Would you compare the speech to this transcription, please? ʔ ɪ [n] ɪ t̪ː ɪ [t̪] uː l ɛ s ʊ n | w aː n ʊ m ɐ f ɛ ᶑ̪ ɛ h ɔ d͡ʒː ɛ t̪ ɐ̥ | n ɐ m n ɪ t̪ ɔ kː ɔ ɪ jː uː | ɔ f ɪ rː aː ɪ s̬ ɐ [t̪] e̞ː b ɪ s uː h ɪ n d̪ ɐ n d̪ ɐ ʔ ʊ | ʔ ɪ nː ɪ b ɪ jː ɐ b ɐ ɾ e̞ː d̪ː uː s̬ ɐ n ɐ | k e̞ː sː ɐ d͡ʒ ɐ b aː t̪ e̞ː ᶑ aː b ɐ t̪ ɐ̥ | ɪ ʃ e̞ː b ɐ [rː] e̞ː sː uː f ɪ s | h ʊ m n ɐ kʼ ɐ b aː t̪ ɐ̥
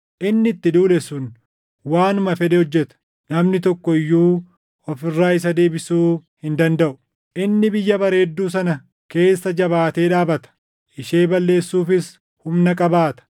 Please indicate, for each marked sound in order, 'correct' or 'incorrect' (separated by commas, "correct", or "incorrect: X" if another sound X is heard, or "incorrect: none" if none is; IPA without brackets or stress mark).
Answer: incorrect: nː, incorrect: d̪, incorrect: d̪, incorrect: lː